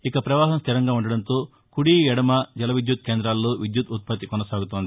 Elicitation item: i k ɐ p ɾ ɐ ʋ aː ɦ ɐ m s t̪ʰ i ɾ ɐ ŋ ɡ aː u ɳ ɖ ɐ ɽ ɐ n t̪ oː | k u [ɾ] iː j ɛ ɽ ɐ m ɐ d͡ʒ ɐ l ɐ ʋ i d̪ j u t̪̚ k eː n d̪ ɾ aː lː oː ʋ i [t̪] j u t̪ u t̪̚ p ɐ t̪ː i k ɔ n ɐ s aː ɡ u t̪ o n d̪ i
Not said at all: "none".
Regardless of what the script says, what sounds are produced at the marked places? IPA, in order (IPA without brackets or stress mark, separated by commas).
ɽ, d̪